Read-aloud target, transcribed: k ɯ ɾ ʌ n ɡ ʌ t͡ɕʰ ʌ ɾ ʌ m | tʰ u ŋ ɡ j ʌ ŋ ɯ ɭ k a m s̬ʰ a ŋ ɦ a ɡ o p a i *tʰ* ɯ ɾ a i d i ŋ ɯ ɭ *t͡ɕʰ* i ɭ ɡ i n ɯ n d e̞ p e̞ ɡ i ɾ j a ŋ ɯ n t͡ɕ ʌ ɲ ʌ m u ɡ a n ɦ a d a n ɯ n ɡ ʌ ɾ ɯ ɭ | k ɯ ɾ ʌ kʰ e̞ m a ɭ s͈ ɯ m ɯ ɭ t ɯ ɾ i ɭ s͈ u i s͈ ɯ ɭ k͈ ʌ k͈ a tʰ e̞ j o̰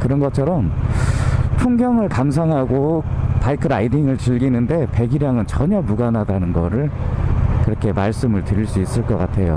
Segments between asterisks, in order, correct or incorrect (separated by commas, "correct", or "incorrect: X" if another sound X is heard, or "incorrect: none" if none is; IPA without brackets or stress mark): incorrect: kʰ, incorrect: t͡ɕ